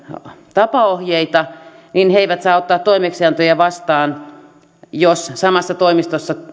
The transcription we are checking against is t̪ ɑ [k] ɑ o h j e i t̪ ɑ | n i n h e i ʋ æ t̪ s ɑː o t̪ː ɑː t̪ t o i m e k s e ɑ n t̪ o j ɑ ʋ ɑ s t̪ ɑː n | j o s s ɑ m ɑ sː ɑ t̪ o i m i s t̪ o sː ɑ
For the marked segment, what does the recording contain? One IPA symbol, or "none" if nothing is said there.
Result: p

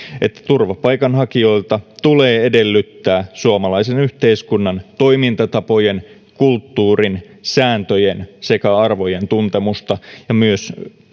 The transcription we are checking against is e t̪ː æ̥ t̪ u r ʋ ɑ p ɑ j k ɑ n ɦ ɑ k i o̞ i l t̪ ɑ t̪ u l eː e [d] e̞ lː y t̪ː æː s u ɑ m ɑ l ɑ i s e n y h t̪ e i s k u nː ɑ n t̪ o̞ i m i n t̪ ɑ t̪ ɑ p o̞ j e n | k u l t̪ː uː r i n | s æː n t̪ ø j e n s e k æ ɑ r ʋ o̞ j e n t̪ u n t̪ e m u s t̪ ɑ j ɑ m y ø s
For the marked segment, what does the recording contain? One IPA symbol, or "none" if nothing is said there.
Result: d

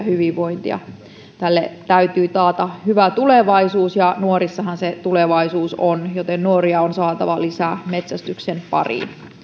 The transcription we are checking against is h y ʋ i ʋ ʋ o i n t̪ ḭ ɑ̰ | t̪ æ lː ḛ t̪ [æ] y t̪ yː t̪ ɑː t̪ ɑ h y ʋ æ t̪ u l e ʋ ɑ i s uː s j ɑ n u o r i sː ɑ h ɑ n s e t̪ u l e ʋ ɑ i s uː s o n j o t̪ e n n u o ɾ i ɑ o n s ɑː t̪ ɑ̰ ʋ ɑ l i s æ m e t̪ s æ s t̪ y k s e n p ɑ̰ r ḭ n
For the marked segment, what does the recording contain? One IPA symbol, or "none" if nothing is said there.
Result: æ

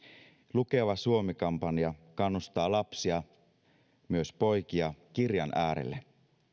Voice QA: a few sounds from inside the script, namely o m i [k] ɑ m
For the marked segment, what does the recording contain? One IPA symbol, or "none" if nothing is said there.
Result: k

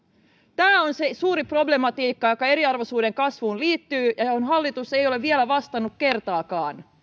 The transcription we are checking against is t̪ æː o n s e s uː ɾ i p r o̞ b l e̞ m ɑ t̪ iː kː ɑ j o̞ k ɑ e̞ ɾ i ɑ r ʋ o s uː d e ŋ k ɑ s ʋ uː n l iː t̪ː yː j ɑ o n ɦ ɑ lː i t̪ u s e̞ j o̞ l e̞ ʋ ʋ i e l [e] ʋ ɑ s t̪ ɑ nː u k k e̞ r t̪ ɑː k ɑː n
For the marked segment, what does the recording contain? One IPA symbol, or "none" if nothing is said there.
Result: æ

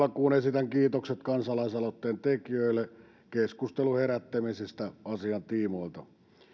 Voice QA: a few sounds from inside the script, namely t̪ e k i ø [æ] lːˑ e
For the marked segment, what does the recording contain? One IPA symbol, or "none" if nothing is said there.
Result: i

